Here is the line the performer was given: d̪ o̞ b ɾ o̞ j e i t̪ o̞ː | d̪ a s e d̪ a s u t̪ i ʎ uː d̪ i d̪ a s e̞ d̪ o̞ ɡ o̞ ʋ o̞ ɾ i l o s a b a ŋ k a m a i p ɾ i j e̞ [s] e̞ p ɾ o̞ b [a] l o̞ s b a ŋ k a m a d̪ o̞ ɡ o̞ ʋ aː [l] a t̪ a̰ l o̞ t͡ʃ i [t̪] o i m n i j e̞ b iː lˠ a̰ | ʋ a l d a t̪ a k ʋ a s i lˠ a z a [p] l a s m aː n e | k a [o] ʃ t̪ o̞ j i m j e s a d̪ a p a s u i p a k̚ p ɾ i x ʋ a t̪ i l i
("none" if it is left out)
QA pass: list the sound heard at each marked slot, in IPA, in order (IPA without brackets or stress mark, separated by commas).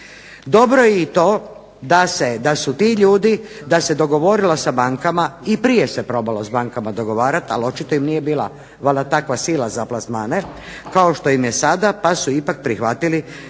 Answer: s, a, ɾ, t̪, p, o